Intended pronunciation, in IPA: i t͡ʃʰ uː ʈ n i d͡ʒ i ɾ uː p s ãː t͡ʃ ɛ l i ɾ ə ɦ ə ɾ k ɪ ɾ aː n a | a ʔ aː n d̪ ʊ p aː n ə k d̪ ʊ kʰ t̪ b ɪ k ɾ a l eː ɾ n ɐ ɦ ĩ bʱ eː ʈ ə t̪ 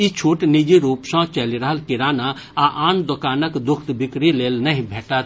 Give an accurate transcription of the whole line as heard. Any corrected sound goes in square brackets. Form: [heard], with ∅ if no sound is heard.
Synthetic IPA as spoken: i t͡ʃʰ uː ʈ n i d͡ʒ i ɾ uː p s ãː t͡ʃ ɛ l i ɾ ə ɦ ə [l] k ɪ ɾ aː n a | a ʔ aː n d̪ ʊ [k] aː n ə k d̪ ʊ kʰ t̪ b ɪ k ɾ [i] l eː [l] n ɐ ɦ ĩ bʱ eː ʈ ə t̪